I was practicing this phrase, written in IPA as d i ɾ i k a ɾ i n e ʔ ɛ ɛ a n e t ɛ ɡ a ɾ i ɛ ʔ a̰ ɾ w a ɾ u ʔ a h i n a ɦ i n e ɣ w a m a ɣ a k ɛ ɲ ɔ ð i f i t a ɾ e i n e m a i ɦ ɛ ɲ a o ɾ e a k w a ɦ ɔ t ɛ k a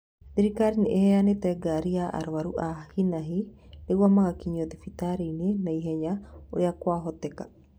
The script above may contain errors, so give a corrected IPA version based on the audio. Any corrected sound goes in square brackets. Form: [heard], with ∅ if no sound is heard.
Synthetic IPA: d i ɾ i k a ɾ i n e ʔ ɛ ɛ a n e t ɛ ɡ a ɾ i [a] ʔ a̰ ɾ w a ɾ u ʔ a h i n a ɦ i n e ɣ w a m a ɣ a k [i] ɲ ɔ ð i f i t a ɾ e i n e [n] a i ɦ ɛ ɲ a o ɾ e a k w a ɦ ɔ t ɛ k a